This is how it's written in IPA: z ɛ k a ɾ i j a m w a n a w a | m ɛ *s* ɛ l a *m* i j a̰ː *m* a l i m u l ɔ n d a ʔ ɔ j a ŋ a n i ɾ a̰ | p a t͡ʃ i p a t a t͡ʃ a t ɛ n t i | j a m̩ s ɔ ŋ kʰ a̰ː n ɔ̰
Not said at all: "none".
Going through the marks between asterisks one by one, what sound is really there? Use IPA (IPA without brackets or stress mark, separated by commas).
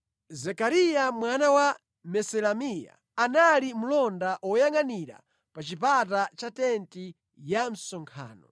s, m, n